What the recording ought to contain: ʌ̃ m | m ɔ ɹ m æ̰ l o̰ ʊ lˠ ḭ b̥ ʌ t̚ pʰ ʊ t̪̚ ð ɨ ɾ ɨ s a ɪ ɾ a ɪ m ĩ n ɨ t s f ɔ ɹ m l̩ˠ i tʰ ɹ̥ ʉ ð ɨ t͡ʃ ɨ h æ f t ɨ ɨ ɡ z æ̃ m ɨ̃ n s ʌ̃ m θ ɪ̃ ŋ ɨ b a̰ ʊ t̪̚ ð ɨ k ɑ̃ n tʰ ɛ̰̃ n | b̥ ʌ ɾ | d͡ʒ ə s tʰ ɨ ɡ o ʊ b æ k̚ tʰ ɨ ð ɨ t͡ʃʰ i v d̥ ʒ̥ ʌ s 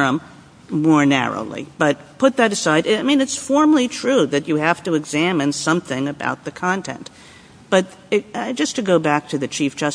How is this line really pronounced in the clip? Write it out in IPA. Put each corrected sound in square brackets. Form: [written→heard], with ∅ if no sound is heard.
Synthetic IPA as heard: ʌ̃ m | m ɔ ɹ [m→n] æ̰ [l→ɹ] o̰ ʊ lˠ ḭ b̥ ʌ t̚ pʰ ʊ t̪̚ ð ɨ ɾ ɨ s a ɪ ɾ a ɪ m ĩ n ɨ t s f ɔ ɹ m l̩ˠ i tʰ ɹ̥ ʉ ð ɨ t͡ʃ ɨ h æ f t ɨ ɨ ɡ z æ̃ m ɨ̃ n s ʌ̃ m θ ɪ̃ ŋ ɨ b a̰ ʊ t̪̚ ð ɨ [k→kʰ] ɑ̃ n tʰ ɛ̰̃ n | b̥ ʌ ɾ | d͡ʒ [ə→ʌ] s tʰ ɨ ɡ o ʊ b æ k̚ tʰ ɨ ð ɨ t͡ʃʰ i [v→f] d̥ ʒ̥ ʌ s